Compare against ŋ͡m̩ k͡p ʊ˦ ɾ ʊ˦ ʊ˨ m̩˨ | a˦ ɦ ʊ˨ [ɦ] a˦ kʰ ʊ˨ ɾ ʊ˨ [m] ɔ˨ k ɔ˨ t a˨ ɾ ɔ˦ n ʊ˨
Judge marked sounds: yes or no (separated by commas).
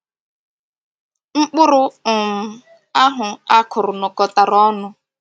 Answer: no, no